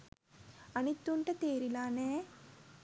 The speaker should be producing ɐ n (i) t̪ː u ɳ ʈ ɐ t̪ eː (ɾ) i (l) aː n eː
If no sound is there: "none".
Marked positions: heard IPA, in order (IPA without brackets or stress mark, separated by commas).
i, ɾ, l